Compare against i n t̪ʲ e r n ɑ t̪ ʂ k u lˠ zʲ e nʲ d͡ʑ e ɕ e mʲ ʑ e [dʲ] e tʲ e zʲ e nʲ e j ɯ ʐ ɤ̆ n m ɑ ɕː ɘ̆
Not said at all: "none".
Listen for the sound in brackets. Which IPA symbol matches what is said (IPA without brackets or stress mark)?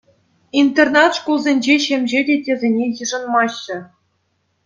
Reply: dʲ